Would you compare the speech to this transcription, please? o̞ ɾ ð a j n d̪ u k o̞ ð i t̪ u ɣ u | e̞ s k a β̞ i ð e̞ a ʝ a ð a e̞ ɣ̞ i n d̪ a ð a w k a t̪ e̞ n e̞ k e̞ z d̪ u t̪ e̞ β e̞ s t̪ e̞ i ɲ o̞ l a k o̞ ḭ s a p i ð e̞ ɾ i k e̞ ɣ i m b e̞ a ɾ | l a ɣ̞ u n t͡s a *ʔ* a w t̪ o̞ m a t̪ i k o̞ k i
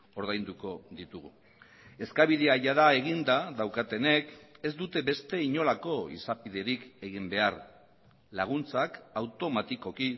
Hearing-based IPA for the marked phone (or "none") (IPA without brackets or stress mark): k